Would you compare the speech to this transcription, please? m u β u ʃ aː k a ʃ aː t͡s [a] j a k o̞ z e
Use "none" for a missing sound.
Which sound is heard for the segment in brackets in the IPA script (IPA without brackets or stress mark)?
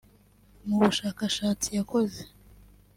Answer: i